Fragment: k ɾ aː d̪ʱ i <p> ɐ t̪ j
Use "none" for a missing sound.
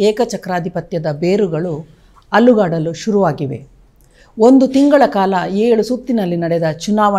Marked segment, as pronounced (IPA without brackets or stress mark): p